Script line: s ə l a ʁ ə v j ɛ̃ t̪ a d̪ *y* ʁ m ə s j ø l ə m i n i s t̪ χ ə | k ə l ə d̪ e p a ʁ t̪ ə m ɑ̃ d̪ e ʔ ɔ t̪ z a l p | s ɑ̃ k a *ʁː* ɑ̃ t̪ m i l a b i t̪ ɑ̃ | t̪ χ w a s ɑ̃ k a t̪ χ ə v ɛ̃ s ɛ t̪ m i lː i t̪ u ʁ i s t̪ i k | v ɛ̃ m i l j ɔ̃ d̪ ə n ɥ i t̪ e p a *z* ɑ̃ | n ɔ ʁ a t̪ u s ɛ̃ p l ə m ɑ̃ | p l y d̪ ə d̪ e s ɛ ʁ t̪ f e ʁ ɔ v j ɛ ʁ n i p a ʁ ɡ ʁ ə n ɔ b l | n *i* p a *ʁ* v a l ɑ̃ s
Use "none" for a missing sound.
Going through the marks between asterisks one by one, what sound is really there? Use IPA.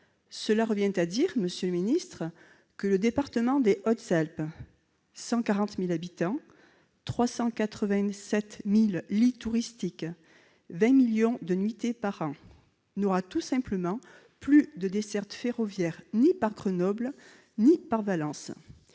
i, ʁ, ʁ, i, ʁ

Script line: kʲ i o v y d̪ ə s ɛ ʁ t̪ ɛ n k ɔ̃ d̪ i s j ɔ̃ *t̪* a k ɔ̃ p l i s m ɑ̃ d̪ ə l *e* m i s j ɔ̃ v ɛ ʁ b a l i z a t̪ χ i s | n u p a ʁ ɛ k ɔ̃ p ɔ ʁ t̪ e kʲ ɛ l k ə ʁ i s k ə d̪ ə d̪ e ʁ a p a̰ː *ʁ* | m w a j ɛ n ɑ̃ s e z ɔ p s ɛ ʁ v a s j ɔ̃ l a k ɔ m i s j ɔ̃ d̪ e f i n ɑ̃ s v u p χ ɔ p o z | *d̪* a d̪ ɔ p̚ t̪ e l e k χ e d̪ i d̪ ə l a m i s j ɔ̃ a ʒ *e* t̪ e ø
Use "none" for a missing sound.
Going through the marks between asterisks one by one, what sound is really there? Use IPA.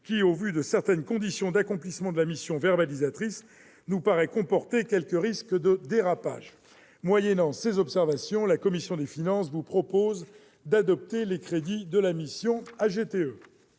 d̪, a, ʒ, d̪, e

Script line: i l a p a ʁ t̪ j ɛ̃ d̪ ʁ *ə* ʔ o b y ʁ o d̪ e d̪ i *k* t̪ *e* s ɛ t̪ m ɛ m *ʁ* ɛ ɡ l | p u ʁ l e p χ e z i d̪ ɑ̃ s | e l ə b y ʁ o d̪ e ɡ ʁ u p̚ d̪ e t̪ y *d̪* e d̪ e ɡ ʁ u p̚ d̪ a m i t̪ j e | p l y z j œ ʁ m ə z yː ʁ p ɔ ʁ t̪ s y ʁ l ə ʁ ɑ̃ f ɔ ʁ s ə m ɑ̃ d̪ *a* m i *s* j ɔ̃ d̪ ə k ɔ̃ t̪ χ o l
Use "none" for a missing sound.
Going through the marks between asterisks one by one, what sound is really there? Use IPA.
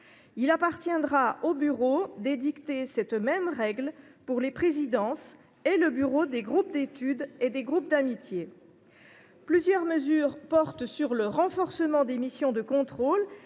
a, k, e, ʁ, d̪, e, s

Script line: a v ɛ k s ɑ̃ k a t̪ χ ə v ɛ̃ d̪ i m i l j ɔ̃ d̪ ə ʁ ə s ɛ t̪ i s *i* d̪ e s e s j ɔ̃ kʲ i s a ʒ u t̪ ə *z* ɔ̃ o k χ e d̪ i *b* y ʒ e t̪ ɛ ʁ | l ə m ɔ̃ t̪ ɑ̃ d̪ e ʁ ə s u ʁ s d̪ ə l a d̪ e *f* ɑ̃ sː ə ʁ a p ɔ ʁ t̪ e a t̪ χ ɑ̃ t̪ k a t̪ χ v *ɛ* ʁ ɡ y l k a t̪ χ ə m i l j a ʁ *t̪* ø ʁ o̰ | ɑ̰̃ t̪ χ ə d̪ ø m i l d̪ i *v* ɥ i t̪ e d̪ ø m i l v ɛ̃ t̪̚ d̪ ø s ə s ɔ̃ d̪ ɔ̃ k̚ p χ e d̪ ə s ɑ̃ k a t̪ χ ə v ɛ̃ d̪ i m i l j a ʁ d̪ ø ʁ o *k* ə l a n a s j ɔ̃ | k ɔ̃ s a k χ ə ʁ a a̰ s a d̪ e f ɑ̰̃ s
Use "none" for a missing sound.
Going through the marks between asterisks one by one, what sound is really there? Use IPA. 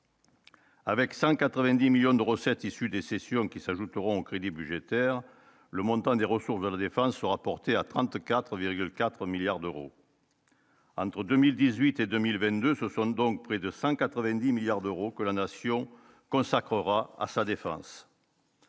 y, ʁ, b, f, i, d̪, z, k

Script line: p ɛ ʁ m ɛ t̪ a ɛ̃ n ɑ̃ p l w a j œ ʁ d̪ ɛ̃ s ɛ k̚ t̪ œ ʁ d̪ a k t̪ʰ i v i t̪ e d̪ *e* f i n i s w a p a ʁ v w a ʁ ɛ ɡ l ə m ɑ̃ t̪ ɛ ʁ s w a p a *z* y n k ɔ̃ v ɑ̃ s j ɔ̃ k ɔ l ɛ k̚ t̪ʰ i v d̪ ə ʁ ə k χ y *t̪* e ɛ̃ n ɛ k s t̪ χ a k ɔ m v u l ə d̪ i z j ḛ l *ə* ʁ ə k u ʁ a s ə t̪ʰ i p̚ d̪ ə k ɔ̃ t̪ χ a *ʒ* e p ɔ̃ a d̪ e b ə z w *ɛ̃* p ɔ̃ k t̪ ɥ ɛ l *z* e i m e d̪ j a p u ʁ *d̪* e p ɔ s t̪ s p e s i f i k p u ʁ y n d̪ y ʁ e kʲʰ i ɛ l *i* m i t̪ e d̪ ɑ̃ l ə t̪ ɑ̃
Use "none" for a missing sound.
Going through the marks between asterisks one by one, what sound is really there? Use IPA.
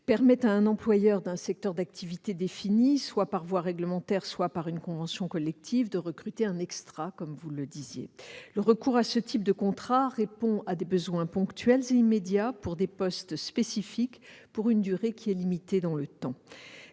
e, ʁ, t̪, ə, ʁ, ɛ̃, z, d̪, i

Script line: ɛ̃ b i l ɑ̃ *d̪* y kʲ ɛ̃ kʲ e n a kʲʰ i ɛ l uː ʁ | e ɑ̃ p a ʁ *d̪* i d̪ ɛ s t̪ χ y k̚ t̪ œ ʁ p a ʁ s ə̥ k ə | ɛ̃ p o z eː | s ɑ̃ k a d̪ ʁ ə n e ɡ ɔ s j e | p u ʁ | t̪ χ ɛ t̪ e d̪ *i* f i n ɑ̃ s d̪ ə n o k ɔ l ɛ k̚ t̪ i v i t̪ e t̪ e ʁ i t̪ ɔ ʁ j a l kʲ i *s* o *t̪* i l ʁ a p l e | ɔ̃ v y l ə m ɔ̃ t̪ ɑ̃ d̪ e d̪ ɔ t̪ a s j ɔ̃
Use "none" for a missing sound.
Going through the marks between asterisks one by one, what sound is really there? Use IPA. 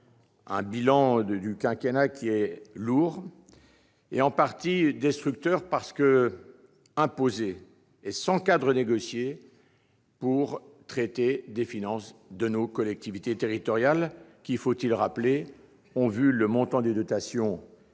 d̪, t̪, e, f, t̪

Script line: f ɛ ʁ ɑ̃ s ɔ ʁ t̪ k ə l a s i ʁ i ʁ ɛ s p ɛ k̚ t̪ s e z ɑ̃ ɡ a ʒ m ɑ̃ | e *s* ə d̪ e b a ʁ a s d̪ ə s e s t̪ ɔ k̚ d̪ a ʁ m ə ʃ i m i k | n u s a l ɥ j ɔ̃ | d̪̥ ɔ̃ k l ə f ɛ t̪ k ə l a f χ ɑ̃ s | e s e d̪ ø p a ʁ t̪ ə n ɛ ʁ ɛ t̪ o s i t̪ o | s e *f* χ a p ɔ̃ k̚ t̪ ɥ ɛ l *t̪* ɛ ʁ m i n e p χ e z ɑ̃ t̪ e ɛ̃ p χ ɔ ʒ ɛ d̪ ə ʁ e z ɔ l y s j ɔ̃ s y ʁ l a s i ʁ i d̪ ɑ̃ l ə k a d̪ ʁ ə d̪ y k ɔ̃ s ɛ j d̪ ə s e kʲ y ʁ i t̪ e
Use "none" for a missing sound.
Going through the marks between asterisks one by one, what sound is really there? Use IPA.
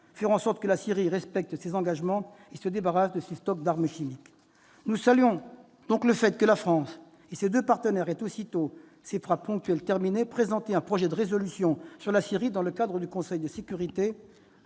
s, f, t̪

